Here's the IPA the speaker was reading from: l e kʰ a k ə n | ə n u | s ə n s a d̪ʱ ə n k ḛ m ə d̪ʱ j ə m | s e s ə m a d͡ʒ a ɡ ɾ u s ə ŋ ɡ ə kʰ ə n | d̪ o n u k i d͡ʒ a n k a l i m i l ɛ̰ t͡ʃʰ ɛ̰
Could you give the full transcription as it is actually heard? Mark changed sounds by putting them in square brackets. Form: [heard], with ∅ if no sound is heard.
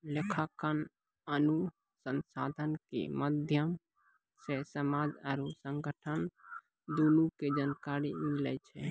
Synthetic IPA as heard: l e kʰ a k ə n | ə n u | s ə n s a d̪ʱ ə n k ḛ m ə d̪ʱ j ə m | s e s ə m a d͡ʒ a [∅] ɾ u s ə ŋ ɡ ə [ʈʰ] ə n | d̪ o n u k [e] d͡ʒ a n k a [ɾ] i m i l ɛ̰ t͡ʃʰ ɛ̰